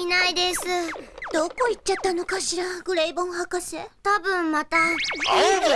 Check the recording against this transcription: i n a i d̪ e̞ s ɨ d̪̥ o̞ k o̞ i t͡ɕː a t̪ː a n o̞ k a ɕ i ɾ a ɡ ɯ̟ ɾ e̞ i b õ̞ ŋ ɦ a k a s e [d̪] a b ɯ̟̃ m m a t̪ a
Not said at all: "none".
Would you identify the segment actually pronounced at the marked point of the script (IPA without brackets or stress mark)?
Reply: t̪